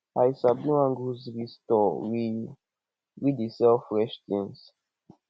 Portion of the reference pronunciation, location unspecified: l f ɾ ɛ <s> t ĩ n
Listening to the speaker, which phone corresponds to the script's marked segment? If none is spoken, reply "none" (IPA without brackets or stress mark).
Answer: ʃ